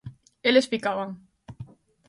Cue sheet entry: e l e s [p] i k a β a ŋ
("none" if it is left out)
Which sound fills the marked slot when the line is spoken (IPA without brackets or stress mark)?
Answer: p